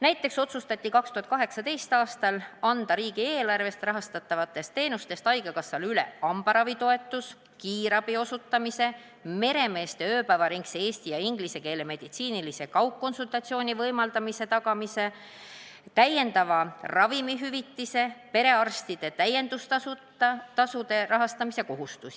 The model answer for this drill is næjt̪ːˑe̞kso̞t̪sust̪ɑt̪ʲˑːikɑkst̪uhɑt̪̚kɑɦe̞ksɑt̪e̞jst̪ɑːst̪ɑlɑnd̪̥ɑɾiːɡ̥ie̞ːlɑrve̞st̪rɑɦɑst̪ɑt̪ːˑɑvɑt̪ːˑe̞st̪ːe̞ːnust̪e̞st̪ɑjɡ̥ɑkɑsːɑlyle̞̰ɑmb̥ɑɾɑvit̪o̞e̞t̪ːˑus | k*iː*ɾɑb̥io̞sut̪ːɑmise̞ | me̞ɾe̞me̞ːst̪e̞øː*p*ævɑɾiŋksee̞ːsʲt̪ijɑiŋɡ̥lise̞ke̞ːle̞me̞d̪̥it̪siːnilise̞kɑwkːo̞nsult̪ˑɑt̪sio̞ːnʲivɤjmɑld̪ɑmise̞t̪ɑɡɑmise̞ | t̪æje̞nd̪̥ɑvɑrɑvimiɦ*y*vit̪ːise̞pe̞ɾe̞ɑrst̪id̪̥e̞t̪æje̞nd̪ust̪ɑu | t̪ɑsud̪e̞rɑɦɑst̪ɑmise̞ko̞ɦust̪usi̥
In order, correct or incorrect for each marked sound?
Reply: correct, correct, correct

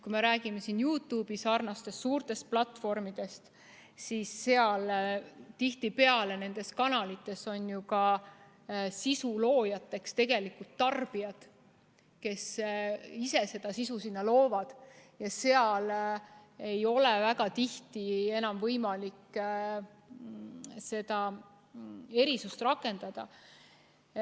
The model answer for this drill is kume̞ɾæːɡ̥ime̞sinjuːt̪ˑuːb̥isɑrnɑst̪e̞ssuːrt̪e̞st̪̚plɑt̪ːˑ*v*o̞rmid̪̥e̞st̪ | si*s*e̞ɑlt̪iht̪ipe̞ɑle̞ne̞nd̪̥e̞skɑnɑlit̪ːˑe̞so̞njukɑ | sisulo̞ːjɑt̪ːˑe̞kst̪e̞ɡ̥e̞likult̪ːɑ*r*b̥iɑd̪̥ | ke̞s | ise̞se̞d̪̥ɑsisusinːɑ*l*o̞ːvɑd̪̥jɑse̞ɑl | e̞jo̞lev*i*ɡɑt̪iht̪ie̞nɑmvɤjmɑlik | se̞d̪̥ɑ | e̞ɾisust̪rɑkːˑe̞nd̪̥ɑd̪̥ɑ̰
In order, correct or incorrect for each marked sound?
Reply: incorrect: f, incorrect: sː, correct, correct, incorrect: æ

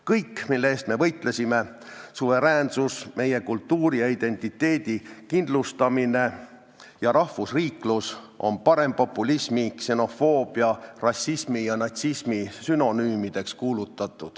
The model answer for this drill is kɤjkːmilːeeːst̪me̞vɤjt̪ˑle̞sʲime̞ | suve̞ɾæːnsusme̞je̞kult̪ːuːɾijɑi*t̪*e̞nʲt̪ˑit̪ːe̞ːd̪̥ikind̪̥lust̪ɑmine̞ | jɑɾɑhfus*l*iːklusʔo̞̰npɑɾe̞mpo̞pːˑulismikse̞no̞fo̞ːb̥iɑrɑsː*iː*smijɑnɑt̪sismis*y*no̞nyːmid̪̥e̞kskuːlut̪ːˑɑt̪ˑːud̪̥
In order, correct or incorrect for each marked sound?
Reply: incorrect: d̪, incorrect: r, incorrect: i, correct

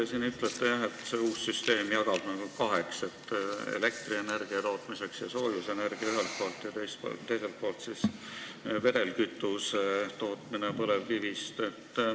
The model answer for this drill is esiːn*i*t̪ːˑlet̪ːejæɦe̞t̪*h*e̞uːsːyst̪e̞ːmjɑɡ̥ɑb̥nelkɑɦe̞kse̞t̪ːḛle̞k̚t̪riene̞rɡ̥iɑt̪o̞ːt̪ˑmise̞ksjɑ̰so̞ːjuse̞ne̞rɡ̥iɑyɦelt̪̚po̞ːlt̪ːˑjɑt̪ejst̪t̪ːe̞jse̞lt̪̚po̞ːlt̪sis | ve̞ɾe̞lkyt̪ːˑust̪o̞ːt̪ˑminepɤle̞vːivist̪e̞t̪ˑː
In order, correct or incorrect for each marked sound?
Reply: incorrect: y, incorrect: s

